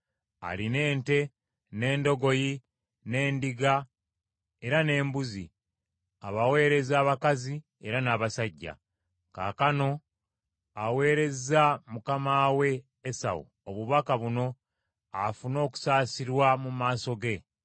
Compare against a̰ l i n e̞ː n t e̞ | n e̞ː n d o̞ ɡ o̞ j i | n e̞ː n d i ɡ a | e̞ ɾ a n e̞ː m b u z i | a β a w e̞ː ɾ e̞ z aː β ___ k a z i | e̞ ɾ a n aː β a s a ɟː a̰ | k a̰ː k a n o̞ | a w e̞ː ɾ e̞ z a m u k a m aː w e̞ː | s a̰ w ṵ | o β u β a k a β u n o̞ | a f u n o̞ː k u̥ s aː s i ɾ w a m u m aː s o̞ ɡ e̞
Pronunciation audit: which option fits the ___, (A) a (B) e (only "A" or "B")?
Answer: A